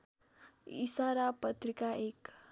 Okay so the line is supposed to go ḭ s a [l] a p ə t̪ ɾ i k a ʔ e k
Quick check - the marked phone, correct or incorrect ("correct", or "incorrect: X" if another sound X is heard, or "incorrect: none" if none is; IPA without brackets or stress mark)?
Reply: incorrect: ɾ